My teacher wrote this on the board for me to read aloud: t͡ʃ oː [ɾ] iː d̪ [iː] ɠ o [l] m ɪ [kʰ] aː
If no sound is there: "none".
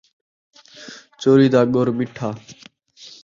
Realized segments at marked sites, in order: ɾ, aː, ɾ, ʈʰ

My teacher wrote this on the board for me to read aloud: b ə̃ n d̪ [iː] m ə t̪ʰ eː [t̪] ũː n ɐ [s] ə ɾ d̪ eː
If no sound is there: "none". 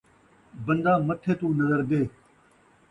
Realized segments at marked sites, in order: aː, t̪, z

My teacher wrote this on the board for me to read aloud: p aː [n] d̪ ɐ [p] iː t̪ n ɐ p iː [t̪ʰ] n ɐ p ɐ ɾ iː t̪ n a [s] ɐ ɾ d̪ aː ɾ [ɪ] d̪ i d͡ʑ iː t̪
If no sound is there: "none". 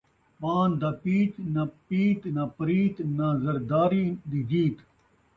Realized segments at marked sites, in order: n, p, t̪, z, i

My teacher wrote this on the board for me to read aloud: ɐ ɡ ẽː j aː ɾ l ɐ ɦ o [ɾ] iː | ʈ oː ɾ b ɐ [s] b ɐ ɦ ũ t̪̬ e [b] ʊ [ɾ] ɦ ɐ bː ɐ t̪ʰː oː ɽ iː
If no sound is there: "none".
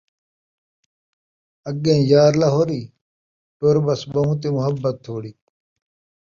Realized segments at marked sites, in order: ɾ, s, m, none

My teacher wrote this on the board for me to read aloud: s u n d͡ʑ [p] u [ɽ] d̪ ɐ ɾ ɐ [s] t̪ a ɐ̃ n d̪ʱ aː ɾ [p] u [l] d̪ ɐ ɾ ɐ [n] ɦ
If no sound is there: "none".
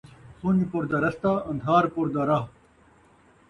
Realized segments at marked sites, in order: p, ɾ, s, p, ɾ, none

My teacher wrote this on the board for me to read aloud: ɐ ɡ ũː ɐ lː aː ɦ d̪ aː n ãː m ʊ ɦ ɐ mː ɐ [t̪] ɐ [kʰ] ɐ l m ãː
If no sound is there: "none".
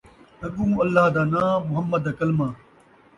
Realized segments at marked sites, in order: d̪, k

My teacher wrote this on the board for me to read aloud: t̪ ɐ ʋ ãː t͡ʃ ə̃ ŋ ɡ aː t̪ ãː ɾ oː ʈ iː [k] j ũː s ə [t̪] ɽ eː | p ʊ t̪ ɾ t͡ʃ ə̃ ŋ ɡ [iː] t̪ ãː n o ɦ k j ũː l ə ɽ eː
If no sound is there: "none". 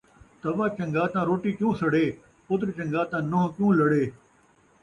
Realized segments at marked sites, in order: k, none, aː

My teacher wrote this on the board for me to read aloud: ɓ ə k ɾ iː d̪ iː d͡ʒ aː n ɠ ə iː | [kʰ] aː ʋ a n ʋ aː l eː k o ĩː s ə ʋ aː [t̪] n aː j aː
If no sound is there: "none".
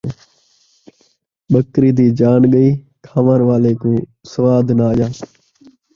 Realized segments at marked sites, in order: kʰ, d̪

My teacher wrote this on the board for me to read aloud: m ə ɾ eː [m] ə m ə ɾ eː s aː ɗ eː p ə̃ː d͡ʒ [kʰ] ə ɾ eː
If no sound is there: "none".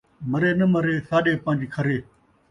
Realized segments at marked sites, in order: n, kʰ

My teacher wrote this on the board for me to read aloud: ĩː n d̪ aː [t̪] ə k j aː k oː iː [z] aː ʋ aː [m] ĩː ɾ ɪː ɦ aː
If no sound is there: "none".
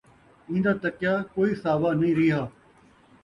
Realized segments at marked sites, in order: t̪, s, n

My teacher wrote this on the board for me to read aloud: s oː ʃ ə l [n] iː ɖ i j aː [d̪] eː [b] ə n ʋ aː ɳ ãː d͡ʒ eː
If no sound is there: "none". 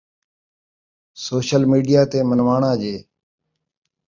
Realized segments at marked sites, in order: m, t̪, m

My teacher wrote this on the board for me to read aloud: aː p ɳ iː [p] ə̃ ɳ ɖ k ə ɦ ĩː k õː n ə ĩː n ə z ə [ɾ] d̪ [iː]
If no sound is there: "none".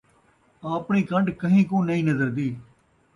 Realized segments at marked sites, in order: k, ɾ, iː

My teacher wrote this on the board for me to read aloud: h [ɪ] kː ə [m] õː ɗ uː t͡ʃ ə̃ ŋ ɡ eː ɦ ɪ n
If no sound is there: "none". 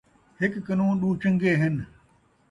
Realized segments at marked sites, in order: ɪ, n

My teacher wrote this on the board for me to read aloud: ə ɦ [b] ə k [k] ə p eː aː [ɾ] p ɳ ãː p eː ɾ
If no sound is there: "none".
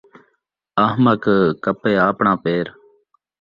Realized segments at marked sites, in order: m, k, none

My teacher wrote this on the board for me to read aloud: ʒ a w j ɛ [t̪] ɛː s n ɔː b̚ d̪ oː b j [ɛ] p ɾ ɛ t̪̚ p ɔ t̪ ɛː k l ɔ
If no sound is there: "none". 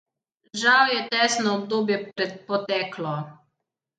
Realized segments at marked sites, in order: t̪, ɛ

